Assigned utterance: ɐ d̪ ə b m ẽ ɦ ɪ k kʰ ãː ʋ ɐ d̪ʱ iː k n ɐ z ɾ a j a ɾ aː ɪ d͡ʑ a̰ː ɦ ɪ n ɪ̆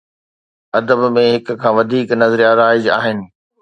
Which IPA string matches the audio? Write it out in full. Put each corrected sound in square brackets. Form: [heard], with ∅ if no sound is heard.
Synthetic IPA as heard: ɐ d̪ ə b m ẽ ɦ ɪ k kʰ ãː ʋ ɐ d̪ʱ iː k n ɐ z ɾ [i] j a ɾ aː ɪ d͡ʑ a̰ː ɦ ɪ n ɪ̆